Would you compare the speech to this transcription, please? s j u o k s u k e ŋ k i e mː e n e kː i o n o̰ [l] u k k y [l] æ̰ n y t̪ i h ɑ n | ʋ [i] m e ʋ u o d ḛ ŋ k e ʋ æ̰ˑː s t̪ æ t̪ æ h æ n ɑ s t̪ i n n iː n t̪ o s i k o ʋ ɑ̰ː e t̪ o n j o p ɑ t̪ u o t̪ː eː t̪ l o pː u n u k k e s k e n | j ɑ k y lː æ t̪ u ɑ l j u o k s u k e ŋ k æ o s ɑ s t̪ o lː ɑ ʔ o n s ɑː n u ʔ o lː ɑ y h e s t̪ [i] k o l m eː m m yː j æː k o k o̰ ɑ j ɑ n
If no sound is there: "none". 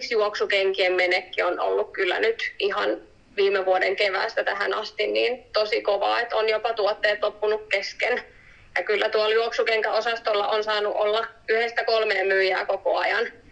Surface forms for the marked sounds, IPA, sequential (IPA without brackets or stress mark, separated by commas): lː, lː, iː, æ